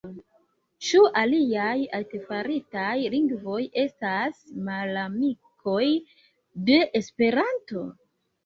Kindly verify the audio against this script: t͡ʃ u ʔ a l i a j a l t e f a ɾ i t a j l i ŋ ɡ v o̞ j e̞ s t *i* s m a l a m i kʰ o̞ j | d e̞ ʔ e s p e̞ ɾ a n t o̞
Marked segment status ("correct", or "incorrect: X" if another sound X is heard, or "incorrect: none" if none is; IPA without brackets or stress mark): incorrect: a